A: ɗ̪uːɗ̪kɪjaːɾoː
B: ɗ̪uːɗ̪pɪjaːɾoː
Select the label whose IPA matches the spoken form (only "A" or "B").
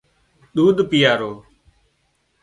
B